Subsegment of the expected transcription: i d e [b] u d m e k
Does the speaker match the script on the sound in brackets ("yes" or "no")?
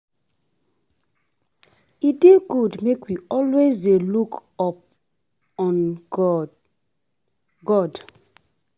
no